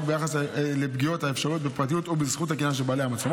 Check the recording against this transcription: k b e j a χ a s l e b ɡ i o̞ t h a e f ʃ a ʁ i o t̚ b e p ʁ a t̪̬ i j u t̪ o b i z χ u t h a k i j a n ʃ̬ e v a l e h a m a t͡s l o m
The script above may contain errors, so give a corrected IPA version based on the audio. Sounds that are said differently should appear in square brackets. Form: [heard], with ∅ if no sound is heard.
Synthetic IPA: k b e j a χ a s l e b ɡ i o̞ t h a e f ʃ a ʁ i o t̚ b e p ʁ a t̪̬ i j u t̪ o b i z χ u t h a k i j a n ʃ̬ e [b] a l e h a m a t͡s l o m